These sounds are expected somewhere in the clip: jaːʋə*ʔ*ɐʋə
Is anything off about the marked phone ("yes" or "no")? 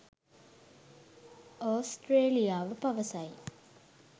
yes